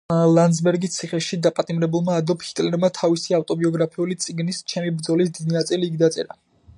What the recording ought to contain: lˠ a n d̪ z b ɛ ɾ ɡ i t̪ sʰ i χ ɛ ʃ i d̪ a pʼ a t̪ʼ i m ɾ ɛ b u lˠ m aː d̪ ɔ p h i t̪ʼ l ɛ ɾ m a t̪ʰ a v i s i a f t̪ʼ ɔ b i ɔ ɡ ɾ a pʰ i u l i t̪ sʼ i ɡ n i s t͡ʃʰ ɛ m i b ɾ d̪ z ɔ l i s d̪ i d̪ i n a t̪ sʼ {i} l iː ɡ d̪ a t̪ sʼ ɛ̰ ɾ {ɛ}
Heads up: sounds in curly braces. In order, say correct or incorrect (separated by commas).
correct, incorrect